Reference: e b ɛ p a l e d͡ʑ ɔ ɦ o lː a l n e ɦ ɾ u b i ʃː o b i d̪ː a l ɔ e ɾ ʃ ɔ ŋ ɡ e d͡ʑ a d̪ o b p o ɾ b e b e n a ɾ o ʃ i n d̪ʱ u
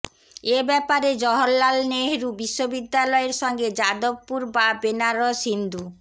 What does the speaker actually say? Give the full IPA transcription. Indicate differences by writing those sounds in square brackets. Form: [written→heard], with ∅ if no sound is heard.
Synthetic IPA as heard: e b ɛ p a [l→ɾ] e d͡ʑ ɔ ɦ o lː a l n e ɦ ɾ u b i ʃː o b i d̪ː a l ɔ e ɾ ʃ ɔ ŋ ɡ e d͡ʑ a d̪ o b p [o→u] ɾ b [e→a] b e n a ɾ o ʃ i n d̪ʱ u